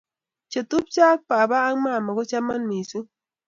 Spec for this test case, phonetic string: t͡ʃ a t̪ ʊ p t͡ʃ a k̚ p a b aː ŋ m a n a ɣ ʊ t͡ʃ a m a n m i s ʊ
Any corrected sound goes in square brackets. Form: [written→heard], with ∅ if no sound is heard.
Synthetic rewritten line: t͡ʃ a t̪ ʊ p t͡ʃ a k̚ p a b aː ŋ m a [n→m] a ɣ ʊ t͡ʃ a m a n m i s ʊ